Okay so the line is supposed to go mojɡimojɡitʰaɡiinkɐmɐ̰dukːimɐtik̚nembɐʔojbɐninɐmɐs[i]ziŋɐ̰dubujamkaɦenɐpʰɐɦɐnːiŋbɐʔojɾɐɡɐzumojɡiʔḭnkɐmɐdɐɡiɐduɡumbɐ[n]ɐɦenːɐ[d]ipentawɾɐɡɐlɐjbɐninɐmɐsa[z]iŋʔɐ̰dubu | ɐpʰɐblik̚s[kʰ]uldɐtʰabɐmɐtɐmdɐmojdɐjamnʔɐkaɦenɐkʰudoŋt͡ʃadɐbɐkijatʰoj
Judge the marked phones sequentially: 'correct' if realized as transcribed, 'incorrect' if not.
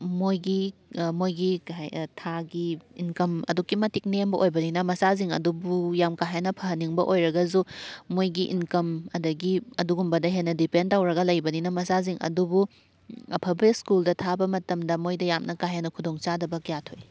incorrect: a, incorrect: d, correct, correct, incorrect: k

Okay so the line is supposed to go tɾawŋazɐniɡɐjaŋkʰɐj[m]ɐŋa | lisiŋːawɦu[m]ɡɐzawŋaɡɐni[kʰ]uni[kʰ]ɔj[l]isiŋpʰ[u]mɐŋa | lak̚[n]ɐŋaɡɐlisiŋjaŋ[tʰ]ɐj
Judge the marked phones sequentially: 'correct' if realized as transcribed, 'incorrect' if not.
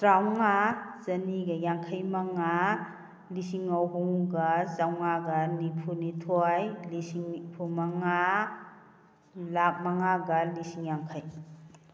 correct, incorrect: ŋ, incorrect: pʰ, incorrect: tʰ, correct, correct, incorrect: m, incorrect: kʰ

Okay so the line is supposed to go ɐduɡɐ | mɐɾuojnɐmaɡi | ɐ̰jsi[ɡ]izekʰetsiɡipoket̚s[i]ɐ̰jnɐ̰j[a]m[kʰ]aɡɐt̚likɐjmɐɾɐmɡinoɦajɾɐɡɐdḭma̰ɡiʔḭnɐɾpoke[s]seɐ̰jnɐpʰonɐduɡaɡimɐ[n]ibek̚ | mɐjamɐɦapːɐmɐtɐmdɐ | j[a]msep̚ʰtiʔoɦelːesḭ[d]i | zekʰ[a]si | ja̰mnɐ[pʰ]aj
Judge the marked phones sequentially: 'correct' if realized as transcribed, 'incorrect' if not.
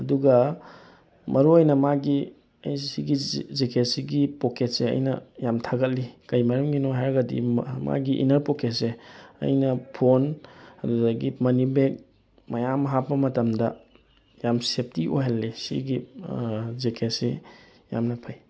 correct, incorrect: e, correct, incorrect: tʰ, incorrect: t, correct, correct, incorrect: ɡ, incorrect: e, correct

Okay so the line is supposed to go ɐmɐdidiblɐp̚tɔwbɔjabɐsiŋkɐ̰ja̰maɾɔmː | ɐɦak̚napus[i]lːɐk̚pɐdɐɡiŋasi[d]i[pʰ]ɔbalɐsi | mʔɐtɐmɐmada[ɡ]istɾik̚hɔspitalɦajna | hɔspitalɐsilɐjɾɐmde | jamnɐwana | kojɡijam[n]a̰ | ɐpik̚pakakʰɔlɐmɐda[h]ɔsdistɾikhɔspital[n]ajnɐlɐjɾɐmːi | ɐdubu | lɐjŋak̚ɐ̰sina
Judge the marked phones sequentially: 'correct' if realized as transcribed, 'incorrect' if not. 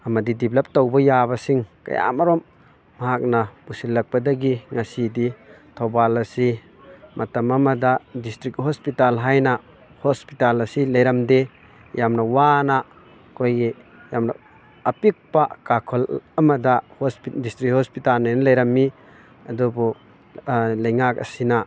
correct, correct, incorrect: tʰ, incorrect: d, correct, correct, correct

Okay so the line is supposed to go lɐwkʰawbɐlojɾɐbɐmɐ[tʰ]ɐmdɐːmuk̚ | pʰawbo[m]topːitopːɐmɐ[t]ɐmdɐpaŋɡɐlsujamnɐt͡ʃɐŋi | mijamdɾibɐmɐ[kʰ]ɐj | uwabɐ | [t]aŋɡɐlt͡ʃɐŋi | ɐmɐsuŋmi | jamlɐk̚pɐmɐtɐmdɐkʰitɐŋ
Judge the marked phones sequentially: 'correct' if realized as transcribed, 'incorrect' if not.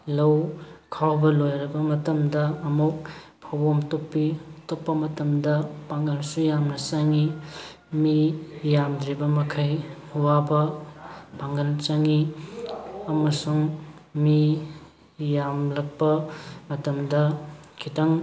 incorrect: t, correct, correct, correct, incorrect: p

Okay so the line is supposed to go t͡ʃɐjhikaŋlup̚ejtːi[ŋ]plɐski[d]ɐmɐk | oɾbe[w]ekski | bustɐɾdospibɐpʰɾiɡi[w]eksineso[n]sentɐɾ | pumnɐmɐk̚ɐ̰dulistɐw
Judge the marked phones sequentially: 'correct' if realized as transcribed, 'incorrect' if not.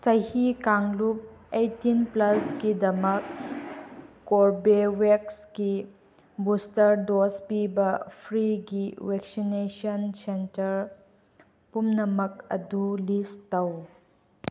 incorrect: n, correct, correct, correct, correct

